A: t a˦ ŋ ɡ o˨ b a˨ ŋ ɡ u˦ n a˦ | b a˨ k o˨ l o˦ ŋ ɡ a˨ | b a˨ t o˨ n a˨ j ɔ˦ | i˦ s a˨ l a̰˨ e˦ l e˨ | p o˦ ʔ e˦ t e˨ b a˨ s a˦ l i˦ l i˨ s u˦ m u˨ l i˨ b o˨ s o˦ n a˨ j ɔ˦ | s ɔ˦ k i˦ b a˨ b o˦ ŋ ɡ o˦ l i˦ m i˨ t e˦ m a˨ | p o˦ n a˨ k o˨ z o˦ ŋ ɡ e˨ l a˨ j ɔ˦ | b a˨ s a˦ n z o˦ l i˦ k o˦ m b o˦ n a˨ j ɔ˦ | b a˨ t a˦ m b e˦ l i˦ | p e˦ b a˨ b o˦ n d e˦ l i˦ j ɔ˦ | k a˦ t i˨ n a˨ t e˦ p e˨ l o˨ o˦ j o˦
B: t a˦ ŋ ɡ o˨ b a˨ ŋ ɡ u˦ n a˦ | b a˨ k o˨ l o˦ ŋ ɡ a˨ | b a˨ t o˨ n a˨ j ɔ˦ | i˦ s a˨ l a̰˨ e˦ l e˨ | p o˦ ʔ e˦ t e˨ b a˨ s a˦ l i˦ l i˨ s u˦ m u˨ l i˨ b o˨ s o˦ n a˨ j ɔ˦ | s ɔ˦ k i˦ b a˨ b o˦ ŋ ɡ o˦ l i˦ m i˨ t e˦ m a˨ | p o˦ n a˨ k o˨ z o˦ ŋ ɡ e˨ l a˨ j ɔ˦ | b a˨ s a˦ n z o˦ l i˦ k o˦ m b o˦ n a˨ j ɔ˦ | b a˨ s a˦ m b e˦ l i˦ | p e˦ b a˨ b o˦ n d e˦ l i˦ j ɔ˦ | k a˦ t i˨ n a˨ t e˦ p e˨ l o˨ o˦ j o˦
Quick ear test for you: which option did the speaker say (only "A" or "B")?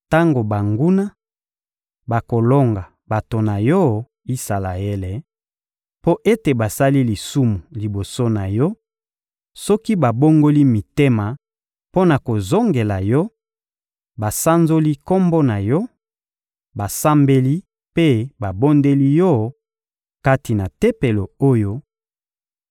B